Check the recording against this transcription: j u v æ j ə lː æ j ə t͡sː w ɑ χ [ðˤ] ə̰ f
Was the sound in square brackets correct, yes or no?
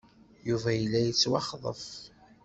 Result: yes